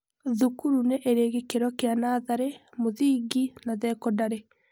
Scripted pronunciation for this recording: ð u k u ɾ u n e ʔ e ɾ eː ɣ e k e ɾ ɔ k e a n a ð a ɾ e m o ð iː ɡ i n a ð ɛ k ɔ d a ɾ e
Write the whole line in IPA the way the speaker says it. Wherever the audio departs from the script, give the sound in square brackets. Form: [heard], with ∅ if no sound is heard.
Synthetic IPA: ð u k u ɾ u n e ʔ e ɾ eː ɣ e k e ɾ ɔ k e a n a ð a ɾ e m o ð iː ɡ i n a ð ɛ k ɔ d a ɾ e